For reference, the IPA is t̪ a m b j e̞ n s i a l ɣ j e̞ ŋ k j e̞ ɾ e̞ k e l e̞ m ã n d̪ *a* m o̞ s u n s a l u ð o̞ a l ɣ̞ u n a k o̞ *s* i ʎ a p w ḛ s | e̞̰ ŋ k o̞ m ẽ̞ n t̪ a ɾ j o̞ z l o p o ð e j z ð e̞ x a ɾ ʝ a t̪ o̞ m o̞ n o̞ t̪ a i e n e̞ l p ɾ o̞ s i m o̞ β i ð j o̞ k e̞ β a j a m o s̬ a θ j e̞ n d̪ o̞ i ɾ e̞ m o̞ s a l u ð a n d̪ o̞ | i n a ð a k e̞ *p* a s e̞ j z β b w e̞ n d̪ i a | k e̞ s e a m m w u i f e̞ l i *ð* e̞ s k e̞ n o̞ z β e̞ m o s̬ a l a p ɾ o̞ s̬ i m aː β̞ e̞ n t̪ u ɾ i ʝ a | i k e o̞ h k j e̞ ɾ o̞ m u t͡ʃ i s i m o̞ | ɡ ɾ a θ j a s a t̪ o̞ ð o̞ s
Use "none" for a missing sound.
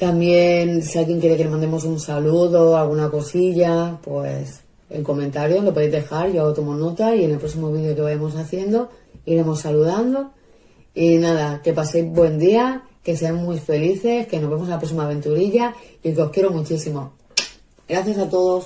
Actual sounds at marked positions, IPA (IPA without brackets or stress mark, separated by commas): e, s, p, θ